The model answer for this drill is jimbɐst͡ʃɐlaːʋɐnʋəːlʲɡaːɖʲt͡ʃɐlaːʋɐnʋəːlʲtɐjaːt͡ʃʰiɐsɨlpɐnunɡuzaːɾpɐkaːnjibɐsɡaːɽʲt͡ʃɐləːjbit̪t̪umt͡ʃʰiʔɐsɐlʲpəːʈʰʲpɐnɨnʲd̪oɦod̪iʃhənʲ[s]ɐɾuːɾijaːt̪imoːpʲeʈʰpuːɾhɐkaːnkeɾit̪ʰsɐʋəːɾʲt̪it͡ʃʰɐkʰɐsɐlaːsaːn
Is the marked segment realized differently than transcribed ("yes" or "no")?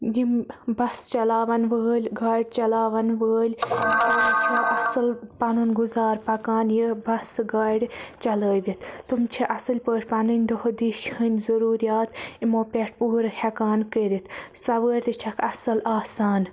yes